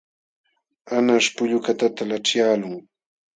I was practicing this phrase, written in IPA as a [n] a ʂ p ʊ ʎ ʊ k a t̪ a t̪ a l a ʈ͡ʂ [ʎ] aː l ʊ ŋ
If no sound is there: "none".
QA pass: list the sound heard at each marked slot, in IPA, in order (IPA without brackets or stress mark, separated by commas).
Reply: n, j